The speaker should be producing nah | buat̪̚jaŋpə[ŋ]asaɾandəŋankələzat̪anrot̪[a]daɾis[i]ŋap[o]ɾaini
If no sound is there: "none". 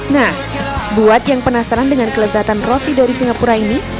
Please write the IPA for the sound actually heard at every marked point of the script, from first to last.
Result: n, i, i, u

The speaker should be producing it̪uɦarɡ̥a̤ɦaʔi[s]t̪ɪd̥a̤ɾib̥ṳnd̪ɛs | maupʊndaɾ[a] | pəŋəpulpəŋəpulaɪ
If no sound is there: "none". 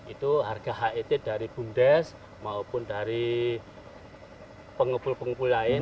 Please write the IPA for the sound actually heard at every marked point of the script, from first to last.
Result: none, i

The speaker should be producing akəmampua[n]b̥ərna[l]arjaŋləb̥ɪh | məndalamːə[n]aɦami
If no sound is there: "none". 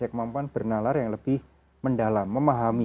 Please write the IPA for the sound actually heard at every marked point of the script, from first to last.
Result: n, l, m

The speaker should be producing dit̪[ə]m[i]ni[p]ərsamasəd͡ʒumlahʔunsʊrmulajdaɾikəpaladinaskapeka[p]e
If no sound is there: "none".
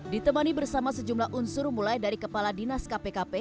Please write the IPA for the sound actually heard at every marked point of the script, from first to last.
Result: ə, a, b, p

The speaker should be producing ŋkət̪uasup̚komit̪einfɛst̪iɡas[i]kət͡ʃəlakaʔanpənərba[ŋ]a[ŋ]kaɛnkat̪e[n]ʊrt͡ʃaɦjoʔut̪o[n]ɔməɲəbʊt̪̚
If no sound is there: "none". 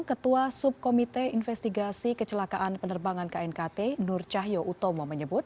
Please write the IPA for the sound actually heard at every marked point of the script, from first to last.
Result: i, ŋ, n, n, m

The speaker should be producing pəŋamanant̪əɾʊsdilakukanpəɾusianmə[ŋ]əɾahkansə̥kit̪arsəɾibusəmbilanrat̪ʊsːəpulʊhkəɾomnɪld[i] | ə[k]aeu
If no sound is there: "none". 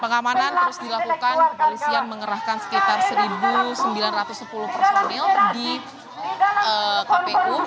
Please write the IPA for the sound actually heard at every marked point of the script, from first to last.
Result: ŋ, i, k

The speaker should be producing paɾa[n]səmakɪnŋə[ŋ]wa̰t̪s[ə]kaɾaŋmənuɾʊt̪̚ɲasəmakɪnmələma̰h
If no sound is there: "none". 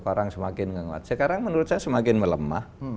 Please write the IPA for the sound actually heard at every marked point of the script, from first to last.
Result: ŋ, ŋ, ə

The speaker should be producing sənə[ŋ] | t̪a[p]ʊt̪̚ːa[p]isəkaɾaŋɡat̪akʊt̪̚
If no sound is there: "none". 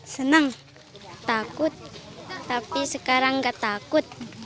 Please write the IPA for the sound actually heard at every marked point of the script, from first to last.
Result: ŋ, k, p

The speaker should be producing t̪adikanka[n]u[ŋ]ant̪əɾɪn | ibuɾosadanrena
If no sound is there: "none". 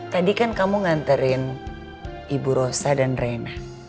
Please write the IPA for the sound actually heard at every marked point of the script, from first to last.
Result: m, ŋ

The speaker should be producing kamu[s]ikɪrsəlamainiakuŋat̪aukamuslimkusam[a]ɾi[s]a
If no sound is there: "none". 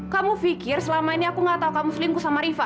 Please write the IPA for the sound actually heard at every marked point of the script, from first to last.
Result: f, a, f

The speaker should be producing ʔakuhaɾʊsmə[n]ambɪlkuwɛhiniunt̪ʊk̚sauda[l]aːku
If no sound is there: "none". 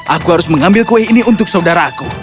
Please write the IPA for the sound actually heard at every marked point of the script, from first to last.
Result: ŋ, ɾ

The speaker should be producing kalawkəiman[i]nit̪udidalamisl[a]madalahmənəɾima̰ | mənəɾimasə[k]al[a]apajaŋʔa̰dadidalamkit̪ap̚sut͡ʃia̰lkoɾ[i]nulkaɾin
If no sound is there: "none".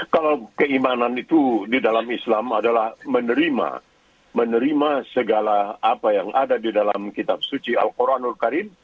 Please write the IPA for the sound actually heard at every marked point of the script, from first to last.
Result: a, a, ɡ, a, a

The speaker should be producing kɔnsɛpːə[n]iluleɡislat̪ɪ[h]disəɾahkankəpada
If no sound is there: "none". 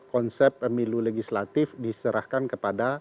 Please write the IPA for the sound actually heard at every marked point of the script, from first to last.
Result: m, f

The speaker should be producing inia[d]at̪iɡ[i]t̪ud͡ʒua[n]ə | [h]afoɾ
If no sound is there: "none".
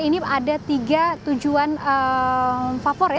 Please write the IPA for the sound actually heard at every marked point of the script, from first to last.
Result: d, a, n, f

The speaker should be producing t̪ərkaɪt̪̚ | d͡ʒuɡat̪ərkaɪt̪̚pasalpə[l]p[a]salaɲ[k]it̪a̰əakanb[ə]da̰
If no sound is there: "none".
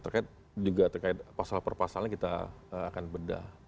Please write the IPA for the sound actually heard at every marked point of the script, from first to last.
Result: r, a, k, ə

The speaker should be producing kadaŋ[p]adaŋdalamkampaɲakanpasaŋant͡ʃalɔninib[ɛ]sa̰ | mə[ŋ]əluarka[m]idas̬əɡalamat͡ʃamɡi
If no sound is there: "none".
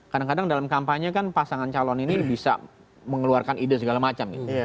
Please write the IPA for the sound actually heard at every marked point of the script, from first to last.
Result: k, i, ŋ, n

